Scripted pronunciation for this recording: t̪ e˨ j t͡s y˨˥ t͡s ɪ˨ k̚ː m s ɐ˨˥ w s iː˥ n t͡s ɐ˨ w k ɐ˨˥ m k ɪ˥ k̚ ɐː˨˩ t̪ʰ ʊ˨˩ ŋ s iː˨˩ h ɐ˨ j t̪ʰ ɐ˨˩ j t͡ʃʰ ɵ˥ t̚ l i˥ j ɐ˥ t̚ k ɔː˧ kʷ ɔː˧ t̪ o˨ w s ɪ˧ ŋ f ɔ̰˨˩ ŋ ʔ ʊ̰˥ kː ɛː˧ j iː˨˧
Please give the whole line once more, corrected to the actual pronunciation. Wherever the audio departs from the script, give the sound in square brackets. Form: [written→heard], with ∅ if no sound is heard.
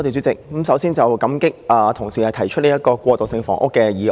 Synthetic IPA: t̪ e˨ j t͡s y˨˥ t͡s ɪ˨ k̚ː m s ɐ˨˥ w s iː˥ n t͡s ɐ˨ w k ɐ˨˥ m k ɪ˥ k̚ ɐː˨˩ t̪ʰ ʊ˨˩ ŋ s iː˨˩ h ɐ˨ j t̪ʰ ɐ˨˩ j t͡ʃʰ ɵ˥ t̚ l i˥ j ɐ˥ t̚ k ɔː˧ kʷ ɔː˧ t̪ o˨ w s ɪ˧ ŋ f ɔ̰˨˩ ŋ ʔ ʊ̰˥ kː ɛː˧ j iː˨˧

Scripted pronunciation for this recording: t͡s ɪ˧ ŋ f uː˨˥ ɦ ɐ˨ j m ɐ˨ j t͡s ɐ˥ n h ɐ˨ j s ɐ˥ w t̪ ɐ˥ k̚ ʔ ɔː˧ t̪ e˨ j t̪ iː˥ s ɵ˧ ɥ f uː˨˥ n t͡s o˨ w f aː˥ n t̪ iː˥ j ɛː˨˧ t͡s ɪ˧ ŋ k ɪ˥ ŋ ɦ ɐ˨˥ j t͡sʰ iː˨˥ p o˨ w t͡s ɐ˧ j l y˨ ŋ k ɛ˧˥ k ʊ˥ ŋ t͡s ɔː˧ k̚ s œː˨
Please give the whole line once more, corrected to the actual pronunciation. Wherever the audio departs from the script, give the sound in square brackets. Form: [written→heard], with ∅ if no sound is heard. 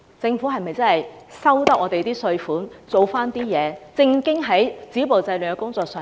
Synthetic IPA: t͡s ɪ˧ ŋ f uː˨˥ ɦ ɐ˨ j m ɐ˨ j t͡s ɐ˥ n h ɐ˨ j s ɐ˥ w t̪ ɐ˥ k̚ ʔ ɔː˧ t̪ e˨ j t̪ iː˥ s ɵ˧ ɥ f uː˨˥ n t͡s o˨ w f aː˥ n t̪ iː˥ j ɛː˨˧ t͡s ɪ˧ ŋ k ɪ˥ ŋ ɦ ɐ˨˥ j [t͡sʰ→t͡s] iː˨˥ p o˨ w t͡s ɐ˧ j l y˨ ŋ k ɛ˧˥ k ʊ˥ ŋ t͡s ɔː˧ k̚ s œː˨

